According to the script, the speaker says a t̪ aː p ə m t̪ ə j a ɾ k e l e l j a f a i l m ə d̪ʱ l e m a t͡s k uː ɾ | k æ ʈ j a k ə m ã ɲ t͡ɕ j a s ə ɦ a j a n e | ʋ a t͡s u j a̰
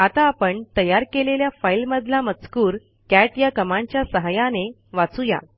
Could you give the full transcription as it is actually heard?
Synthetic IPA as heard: a t̪ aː p ə ɳ t̪ ə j a ɾ k e l e l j a f a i l m ə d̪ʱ l a m ə t͡s k uː ɾ | k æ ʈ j a k ə m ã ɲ t͡ɕ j a s ə ɦ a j a n e | ʋ a t͡s u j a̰